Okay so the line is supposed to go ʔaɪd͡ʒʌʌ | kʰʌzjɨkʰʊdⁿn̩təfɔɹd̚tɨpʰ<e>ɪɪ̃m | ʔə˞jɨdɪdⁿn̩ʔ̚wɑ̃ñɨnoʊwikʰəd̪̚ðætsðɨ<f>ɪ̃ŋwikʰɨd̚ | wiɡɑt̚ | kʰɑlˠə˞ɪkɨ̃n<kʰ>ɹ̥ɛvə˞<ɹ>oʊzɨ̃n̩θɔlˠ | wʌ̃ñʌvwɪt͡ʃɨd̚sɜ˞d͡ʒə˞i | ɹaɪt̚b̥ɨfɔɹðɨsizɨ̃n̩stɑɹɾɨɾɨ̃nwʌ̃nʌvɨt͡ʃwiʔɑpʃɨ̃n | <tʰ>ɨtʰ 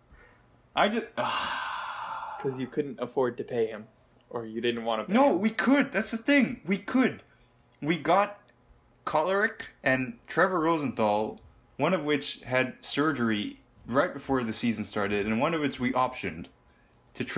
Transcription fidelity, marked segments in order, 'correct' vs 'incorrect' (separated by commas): correct, incorrect, incorrect, correct, correct